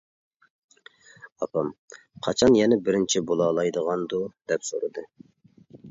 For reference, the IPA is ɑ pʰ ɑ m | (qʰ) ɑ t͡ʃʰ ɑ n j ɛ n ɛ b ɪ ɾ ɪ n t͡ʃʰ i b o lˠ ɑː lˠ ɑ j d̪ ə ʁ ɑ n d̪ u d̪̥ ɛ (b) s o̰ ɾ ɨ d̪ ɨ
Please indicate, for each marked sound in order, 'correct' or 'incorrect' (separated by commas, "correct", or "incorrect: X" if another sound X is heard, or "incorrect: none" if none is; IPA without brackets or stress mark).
correct, incorrect: p